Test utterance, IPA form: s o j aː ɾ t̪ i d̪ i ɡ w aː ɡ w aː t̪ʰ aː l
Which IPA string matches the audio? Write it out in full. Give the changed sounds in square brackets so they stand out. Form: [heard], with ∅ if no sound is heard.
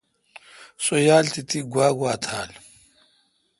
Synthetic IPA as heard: s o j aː [l] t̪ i [t̪] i ɡ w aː ɡ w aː t̪ʰ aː l